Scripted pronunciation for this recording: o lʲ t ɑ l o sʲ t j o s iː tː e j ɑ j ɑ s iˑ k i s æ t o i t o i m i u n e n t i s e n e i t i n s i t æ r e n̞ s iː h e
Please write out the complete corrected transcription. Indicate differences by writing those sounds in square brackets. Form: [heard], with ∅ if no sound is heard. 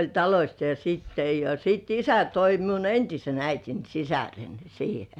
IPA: o lʲ t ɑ l o sʲ t j o s iː tː e j ɑ j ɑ s iˑ [t] i s æ t o i t o i m i u n e n t i s e n [æ] i t i n s i [s] æ r e n̞ s iː h e

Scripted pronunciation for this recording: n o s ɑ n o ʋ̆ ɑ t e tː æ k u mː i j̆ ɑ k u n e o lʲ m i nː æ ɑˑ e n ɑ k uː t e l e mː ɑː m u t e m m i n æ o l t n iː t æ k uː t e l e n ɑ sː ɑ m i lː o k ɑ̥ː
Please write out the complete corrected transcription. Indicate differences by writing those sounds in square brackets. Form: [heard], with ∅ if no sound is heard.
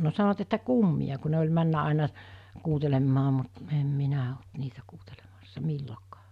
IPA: n o s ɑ n o ʋ̆ ɑ t e tː æ k u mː i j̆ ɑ k u n e o lʲ m [æ] nː æ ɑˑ e n ɑ k uː t e l e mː ɑː m u t e m m i n æ o l t n iː t æ k uː t e l e [m] ɑ sː ɑ m i lː o k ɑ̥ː

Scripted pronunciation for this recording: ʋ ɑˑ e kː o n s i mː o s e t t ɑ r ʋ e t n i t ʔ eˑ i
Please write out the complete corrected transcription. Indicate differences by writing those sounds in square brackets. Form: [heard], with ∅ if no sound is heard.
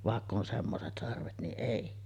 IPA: ʋ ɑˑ e kː o n s [e] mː o s e t [s] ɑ r ʋ e t n i [ʔ] ʔ eˑ i

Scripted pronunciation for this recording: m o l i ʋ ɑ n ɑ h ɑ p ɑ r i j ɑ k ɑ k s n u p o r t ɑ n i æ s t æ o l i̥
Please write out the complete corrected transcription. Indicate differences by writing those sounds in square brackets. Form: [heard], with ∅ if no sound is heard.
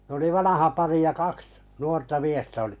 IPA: [n] o l i ʋ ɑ n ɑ h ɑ p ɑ r i j ɑ k ɑ k s n u [∅] o r t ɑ [m] i [e] s t æ o l i̥

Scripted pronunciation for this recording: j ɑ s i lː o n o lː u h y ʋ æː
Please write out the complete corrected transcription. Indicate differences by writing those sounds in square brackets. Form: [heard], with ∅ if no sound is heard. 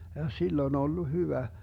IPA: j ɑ s i lː o n o lː u h y ʋ [æ]

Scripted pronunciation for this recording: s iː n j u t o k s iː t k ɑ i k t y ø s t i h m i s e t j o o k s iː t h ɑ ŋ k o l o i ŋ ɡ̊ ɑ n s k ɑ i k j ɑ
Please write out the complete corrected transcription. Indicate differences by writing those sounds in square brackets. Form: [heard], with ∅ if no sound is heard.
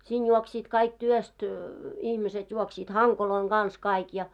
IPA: s iː n j u [∅] o k s iː t k ɑ i k t y ø s t i h m i s e t j [u] o k s iː t h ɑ ŋ k o l o i ŋ ɡ̊ ɑ n s k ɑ i k j ɑ

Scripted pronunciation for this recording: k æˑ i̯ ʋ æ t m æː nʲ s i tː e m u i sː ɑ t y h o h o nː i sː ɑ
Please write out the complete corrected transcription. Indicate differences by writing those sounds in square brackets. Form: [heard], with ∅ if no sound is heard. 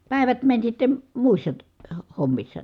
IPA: [p] æˑ i̯ ʋ æ t m [æ] nʲ s i tː e m u i sː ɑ t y h o h o [mː] i sː ɑ

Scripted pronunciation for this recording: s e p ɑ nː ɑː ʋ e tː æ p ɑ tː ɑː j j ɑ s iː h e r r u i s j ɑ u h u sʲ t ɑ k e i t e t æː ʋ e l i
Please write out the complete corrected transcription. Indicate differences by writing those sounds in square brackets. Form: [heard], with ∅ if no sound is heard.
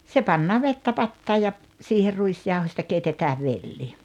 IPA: s e p ɑ nː ɑː ʋ e tː æ p ɑ tː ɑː j j ɑ s iː h e r r u i s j ɑ u h [o] sʲ t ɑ k e i t e t æː ʋ e [lː] i

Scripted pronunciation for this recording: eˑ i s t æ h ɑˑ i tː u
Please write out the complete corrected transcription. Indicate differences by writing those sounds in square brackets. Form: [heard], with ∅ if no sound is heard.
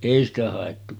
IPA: eˑ i s t æ h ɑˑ [e] tː u

